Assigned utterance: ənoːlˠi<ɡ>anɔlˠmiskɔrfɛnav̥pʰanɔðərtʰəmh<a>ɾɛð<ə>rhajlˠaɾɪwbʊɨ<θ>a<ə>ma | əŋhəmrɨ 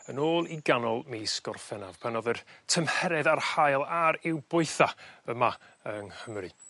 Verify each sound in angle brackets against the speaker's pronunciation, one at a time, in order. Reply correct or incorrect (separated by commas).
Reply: correct, incorrect, incorrect, correct, correct